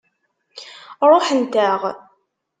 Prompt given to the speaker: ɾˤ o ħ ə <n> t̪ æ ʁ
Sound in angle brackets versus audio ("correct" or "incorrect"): correct